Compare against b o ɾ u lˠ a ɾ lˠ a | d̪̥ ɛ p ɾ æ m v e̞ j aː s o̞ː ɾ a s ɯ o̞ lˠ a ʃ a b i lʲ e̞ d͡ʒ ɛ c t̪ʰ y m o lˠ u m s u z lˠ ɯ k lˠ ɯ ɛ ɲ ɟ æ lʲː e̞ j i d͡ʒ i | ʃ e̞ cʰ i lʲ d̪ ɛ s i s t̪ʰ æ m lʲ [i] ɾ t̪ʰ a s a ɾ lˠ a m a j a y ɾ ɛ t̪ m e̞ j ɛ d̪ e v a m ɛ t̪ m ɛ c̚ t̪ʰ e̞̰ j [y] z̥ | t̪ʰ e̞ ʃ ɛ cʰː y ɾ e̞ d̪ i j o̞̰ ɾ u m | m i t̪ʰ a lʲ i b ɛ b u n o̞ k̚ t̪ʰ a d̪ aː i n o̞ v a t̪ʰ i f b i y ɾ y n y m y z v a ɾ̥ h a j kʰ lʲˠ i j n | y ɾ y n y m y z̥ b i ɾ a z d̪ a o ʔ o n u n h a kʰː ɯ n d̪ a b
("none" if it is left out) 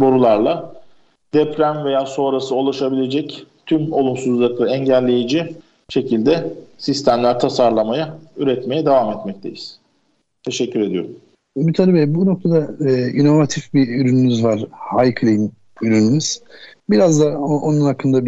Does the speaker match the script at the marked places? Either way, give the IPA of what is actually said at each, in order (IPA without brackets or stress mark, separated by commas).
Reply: æ, i